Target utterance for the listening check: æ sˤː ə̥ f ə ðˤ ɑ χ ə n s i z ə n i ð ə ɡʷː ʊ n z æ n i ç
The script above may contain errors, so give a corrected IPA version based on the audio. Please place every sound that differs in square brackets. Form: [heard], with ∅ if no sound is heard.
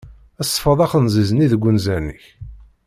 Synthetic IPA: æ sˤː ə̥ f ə ðˤ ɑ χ ə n [z] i z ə n i ð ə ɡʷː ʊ n z æ n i ç